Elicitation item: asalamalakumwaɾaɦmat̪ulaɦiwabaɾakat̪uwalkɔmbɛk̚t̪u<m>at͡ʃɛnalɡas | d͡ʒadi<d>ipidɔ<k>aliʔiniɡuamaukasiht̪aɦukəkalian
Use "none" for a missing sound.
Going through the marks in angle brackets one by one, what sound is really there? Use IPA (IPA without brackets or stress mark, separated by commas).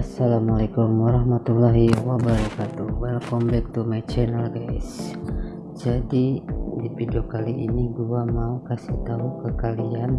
m, d, k